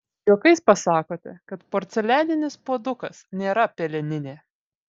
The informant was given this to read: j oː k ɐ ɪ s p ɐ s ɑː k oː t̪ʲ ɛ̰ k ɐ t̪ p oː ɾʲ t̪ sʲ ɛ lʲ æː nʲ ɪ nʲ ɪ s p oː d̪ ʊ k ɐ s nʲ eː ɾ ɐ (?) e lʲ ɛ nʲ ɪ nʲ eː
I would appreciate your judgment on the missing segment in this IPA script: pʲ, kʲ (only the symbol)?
pʲ